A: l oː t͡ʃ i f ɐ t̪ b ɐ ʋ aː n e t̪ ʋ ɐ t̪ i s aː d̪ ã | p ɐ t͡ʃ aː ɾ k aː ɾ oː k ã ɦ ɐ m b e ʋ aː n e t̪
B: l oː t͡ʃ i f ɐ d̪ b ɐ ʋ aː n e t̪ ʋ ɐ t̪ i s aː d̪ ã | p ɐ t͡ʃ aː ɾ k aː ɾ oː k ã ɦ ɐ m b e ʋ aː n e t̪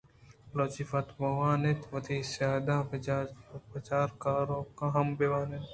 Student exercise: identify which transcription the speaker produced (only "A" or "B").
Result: A